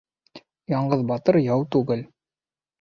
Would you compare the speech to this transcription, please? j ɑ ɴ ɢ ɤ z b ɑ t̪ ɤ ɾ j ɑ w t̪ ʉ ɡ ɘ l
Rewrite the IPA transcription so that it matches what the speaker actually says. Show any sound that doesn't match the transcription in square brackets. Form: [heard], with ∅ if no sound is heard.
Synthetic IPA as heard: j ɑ ɴ ɢ ɤ [ð] b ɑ t̪ ɤ ɾ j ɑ w t̪ ʉ ɡ ɘ l

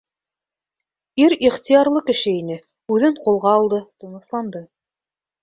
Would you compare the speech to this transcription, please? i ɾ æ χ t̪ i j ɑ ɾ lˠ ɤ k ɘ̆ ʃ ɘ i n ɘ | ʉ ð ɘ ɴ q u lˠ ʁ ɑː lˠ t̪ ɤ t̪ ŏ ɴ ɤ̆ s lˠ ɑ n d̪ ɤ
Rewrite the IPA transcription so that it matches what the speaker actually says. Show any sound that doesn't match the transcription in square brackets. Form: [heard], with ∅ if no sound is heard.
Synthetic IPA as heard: i ɾ [i] χ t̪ i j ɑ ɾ lˠ ɤ k ɘ̆ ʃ ɘ i n ɘ | ʉ ð ɘ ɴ q u lˠ ʁ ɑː lˠ [d̪] ɤ t̪ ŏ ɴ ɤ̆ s lˠ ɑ n d̪ ɤ

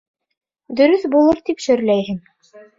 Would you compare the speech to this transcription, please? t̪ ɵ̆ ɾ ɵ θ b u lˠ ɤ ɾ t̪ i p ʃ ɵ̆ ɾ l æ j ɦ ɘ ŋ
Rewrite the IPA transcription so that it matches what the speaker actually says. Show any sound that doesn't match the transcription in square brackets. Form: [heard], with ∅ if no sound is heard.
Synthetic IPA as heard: [d̪] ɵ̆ ɾ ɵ θ b u lˠ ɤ ɾ t̪ i p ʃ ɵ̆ ɾ l æ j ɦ ɘ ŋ

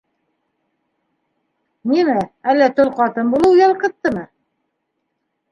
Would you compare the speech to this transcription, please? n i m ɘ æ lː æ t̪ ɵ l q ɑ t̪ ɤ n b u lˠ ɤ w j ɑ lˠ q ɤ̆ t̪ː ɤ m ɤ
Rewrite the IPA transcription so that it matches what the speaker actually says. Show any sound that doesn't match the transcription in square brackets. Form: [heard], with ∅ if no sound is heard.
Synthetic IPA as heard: n i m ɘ æ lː æ t̪ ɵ l q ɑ t̪ ɤ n b u lˠ ɤ w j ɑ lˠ q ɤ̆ t̪ː ɤ m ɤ

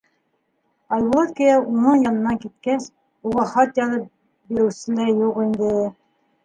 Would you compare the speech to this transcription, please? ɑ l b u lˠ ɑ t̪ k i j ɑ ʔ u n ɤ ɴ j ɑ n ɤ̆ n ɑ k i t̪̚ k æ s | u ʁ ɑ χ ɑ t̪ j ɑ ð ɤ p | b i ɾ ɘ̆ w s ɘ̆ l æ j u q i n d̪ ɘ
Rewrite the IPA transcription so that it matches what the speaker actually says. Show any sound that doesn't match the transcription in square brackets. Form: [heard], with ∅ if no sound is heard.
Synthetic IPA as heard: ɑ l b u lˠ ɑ t̪ k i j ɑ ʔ u n ɤ ɴ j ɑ n ɤ̆ n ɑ k i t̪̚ k æ s | u ʁ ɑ χ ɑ t̪ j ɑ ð ɤ p | b i ɾ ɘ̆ w s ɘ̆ l æ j u q i n d̪ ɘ

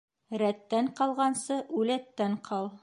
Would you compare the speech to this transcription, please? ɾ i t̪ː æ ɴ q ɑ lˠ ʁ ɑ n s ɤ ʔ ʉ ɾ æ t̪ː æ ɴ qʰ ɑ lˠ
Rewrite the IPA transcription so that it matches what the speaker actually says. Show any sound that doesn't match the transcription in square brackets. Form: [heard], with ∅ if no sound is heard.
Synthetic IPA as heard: ɾ [æ] t̪ː æ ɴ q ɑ lˠ ʁ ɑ n s ɤ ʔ ʉ [l] æ t̪ː æ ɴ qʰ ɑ lˠ

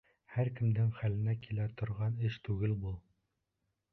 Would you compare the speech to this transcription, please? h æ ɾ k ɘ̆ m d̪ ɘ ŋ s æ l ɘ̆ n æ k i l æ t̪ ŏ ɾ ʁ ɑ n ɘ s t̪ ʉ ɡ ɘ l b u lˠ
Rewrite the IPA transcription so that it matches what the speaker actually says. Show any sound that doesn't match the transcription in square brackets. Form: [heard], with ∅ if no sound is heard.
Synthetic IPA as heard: h æ ɾ k ɘ̆ m d̪ ɘ ŋ [χ] æ l ɘ̆ n æ k i l æ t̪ ŏ ɾ ʁ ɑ n ɘ [ʃ] t̪ ʉ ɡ ɘ l b u lˠ

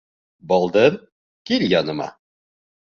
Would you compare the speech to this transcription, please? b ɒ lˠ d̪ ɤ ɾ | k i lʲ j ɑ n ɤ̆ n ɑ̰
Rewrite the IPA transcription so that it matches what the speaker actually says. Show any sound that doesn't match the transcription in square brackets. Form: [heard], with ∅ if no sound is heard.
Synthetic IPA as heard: b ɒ lˠ d̪ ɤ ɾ | k i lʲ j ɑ n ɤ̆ [m] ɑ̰

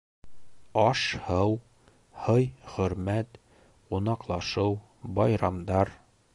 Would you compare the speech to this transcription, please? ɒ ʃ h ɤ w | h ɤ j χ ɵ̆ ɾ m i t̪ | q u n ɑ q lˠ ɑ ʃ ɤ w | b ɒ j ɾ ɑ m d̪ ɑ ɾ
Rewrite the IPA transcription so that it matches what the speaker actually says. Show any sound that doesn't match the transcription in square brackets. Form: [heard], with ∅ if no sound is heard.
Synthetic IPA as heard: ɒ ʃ h ɤ w | h ɤ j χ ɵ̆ ɾ m [æ] t̪ | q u n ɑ q lˠ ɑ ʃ ɤ w | b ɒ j ɾ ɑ m d̪ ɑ ɾ

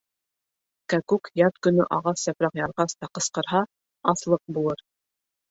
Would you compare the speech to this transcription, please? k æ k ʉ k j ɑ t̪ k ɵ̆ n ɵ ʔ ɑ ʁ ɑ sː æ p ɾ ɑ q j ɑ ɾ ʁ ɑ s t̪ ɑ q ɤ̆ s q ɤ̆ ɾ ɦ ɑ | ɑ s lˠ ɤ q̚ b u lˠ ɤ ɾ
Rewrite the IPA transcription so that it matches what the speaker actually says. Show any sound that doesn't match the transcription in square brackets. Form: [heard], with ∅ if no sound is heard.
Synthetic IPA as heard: k æ k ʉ k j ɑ t̪ k ɵ̆ n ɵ ʔ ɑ ʁ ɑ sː æ p ɾ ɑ q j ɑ ɾ ʁ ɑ s t̪ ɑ q ɤ̆ s q ɤ̆ ɾ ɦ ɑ | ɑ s lˠ ɤ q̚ b u lˠ ɤ ɾ

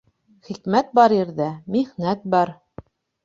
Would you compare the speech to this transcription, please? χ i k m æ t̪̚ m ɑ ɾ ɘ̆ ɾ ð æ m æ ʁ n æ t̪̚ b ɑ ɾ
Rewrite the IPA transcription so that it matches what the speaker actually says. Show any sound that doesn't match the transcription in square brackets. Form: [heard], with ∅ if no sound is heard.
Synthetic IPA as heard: χ i k m æ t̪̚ [b] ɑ ɾ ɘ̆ ɾ ð æ m [i] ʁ n æ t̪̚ b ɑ ɾ

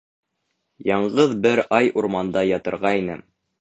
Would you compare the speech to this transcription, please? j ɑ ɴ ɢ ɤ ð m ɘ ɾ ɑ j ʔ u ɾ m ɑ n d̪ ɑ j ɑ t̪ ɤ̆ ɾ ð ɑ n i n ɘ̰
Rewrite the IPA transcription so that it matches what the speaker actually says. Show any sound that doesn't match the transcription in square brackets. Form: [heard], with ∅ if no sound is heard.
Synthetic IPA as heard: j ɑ ɴ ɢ ɤ ð [b] ɘ ɾ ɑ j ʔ u ɾ m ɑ n d̪ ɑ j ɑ t̪ ɤ̆ ɾ [ʁ] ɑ [∅] i n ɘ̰

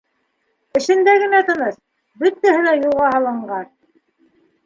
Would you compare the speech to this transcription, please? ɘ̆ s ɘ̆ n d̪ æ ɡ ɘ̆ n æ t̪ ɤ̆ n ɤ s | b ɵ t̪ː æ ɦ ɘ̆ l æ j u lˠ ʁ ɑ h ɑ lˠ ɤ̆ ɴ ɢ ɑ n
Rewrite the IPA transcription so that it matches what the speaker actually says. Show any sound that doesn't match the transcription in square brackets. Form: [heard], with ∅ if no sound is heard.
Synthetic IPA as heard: ɘ̆ [ʃ] ɘ̆ n d̪ æ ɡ ɘ̆ n æ t̪ ɤ̆ n ɤ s | b ɵ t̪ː æ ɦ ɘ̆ l æ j u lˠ ʁ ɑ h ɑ lˠ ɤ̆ ɴ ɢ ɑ n

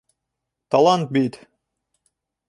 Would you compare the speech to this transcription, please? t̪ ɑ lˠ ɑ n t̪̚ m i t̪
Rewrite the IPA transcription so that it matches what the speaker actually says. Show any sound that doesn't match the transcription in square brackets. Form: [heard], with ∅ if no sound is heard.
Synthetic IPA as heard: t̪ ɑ lˠ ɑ n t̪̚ [b] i t̪

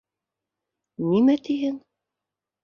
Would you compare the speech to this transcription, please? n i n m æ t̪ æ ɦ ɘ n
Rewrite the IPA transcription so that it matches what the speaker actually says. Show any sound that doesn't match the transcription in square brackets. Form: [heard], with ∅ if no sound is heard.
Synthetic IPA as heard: n i [∅] m æ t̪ [i] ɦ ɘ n

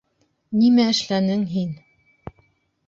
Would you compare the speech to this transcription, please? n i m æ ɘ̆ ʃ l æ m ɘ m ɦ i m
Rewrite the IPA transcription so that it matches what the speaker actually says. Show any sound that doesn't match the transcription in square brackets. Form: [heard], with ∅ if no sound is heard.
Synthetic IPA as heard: n i m æ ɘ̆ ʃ l æ [n] ɘ [ŋ] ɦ i [n]

